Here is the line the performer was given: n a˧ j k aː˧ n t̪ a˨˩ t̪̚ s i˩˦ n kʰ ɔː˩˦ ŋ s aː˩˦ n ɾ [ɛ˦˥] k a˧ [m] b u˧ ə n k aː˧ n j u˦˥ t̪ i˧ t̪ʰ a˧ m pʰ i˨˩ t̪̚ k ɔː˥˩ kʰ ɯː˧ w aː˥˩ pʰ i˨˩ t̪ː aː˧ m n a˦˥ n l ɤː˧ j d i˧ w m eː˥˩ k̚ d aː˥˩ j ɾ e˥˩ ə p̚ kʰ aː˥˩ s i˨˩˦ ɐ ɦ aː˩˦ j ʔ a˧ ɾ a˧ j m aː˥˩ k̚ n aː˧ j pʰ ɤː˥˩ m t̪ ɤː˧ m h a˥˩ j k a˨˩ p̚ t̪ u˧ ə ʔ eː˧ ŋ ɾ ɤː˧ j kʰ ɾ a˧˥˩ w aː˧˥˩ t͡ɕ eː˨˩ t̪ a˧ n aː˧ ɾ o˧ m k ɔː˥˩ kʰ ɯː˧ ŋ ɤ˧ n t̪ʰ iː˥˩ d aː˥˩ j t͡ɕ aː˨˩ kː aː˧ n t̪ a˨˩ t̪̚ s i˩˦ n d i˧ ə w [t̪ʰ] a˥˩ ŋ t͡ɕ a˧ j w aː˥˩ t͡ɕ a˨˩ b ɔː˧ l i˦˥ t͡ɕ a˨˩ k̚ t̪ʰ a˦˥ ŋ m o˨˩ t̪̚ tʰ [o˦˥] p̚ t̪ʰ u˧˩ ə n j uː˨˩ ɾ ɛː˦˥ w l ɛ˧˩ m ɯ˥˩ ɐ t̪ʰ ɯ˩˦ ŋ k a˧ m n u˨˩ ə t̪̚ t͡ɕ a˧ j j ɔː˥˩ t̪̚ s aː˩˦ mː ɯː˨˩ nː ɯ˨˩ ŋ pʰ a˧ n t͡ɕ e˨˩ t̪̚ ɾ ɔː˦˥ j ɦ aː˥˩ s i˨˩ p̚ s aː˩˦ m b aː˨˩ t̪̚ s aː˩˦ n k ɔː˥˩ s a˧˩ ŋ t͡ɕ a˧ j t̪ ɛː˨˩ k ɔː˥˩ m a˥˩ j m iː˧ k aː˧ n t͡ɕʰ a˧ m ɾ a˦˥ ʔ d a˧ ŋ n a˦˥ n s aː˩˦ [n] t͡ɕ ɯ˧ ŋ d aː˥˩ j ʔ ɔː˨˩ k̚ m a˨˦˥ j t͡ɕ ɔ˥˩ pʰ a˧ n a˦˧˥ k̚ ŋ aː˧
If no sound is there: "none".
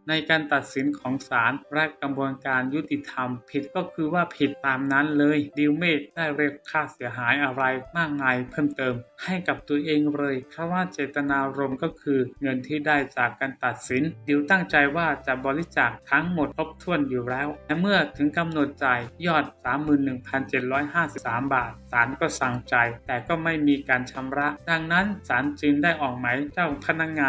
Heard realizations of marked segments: ɛ˦˥, m, t̪, o˦˥, n

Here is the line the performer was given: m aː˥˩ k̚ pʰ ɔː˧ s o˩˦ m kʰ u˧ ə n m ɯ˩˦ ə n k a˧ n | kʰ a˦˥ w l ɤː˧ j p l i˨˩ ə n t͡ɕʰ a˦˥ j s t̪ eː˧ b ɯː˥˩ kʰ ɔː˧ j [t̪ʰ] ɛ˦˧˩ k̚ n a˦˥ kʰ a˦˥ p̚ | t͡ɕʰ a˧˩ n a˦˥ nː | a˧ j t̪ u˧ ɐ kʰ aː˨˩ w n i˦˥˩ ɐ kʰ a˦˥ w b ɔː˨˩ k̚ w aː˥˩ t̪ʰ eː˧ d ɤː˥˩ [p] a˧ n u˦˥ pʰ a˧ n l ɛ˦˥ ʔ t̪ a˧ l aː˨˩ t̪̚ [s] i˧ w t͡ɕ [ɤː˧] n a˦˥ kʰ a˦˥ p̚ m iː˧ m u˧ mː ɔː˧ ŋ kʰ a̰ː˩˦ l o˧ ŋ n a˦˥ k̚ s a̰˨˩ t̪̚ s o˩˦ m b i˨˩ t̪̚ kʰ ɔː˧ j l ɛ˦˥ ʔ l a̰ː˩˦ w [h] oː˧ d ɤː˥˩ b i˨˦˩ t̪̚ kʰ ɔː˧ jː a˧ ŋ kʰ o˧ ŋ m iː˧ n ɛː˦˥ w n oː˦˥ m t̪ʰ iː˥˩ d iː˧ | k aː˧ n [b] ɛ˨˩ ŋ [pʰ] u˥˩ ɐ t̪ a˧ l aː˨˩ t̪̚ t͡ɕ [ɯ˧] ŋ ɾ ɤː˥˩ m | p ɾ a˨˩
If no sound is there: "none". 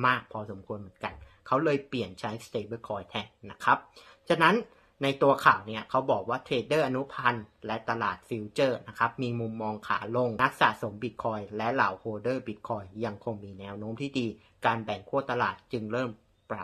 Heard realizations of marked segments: t̪ʰ, ʔ, f, ɤː˥˩, h, b, kʰ, ɯ˧

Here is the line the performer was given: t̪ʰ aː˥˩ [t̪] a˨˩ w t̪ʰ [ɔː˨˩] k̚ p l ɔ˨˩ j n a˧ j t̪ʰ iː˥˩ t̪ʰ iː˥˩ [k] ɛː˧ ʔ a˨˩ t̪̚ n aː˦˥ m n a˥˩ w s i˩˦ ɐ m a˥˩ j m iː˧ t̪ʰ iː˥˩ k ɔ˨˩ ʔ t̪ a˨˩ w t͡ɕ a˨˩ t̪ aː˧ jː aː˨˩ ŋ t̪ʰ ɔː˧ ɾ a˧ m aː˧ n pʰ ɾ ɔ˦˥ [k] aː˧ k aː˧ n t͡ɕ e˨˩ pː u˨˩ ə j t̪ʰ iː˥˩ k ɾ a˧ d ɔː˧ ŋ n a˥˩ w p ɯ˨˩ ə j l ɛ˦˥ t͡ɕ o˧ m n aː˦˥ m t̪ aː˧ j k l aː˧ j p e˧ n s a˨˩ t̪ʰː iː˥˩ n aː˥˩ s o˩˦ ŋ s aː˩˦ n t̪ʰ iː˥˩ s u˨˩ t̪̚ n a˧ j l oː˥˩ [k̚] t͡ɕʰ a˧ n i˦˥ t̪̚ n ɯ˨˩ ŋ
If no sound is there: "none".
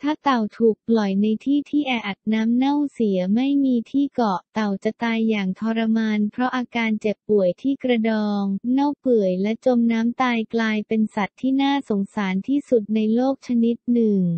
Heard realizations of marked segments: t̪, uː˨˩, ʔ, ʔ, k̚

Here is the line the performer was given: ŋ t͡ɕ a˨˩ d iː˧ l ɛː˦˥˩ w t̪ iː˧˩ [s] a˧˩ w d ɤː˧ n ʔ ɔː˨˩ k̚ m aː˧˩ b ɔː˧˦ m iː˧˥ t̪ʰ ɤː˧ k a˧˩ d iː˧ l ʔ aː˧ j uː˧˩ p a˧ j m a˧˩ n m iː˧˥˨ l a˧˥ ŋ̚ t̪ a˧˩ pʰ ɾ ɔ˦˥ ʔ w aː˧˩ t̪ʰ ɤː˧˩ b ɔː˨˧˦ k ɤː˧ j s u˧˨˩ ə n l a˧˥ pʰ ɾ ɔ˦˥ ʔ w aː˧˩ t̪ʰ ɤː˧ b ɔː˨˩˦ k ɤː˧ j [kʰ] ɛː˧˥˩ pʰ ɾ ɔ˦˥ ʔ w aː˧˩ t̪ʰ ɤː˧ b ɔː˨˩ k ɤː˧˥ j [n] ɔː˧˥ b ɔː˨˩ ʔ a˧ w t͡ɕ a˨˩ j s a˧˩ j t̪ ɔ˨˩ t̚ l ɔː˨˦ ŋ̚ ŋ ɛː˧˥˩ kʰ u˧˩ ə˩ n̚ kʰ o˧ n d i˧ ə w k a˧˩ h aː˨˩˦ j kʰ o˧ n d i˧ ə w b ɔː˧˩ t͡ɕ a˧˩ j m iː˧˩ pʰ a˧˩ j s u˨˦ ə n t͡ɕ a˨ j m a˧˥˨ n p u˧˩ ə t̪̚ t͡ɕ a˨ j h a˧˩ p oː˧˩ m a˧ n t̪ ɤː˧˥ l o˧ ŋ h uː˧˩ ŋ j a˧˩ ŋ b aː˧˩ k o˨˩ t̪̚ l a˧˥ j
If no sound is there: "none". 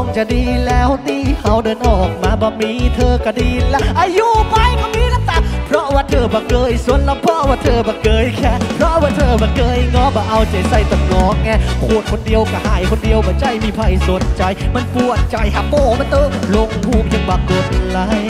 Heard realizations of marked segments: h, kʰ, ŋ

